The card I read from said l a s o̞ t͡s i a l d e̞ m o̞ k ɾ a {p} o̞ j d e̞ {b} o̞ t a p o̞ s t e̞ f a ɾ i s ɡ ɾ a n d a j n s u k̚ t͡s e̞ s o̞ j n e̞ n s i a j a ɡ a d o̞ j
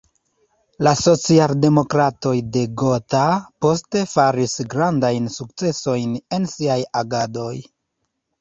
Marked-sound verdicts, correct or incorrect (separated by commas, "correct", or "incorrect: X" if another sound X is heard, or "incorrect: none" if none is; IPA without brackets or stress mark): incorrect: t, incorrect: ɡ